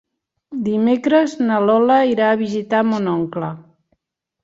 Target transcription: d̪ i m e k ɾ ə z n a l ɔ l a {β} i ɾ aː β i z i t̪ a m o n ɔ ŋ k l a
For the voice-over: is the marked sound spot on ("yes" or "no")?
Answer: no